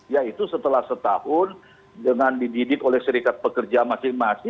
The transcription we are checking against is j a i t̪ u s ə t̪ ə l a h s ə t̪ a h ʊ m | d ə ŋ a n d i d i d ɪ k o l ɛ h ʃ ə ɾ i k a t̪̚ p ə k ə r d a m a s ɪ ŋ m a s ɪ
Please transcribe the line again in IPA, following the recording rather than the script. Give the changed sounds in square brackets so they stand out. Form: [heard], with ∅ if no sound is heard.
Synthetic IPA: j a i t̪ u s ə t̪ ə l a h s ə t̪ a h ʊ [n] | d ə ŋ a n d i d i d ɪ k o l ɛ h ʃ ə ɾ i k a t̪̚ p ə k ə r [d͡ʒ] a m a s ɪ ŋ m a s ɪ

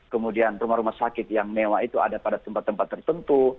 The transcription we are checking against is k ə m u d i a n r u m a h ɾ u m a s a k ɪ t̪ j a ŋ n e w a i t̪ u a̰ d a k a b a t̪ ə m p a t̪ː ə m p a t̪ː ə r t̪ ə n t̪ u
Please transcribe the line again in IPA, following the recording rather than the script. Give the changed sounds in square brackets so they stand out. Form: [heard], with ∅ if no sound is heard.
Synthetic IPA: k ə m u d i a n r u m a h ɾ u m a s a k ɪ t̪ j a ŋ n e w a i t̪ u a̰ d a [p] a [d] a t̪ ə m p a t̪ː ə m p a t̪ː ə r t̪ ə n t̪ u

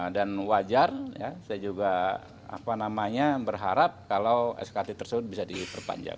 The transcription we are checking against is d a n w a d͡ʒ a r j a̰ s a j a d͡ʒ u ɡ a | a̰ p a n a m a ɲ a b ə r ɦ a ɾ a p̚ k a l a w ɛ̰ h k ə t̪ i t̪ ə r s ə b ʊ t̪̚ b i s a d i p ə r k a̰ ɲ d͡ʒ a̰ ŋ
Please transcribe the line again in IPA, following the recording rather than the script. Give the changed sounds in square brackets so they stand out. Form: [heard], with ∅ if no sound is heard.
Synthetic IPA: d a n w a d͡ʒ a r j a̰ s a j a d͡ʒ u ɡ a | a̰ p a n a m a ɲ a b ə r ɦ a ɾ a p̚ k a l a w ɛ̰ [s] k [a] t̪ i t̪ ə r s ə b ʊ t̪̚ b i s a d i p ə r [p] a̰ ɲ d͡ʒ a̰ ŋ

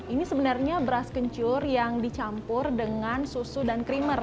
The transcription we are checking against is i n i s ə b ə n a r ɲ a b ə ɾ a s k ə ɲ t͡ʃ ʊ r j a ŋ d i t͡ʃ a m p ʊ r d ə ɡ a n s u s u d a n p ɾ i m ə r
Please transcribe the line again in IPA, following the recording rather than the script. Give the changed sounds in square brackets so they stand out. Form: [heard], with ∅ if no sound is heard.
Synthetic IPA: i n i s ə b ə n a r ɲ a b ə ɾ a s k ə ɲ t͡ʃ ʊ r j a ŋ d i t͡ʃ a m p ʊ r d ə [ŋ] a n s u s u d a n [k] ɾ i m ə r

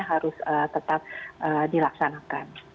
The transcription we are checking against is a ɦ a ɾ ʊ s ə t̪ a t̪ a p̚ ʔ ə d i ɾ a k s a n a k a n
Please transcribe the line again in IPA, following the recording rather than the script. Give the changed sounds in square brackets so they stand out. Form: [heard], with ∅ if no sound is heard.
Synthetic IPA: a ɦ a ɾ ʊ s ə t̪ [ə] t̪ a p̚ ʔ ə d i [l] a k s a n a k a n

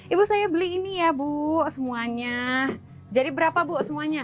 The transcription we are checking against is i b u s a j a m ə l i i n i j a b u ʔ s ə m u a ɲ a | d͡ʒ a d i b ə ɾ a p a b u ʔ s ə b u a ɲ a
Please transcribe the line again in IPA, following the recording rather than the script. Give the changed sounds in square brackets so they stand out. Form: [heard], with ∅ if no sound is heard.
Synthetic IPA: i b u s a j a [b] ə l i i n i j a b u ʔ s ə m u a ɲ a | d͡ʒ a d i b ə ɾ a p a b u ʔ s ə [m] u a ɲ a

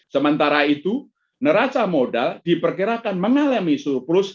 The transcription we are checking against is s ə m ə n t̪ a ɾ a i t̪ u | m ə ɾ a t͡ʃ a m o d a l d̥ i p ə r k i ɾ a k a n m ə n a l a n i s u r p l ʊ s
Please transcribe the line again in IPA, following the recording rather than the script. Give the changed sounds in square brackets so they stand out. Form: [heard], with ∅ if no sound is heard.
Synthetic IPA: s ə m ə n t̪ a ɾ a i t̪ u | [n] ə ɾ a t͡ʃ a m o d a l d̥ i p ə r k i ɾ a k a n m ə [ŋ] a l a [m] i s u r p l ʊ s

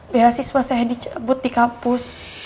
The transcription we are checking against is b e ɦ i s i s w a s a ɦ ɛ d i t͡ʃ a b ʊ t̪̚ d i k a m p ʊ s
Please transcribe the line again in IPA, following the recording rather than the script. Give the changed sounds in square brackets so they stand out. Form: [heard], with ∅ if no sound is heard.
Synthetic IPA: b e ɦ [a] s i s w a s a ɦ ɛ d i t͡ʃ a b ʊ t̪̚ d i k a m p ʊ s

